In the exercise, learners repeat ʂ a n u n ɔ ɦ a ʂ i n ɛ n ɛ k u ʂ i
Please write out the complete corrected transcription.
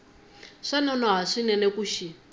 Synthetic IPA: ʂ a n ɔ n ɔ ɦ a ʂ i n ɛ n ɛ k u ʃ i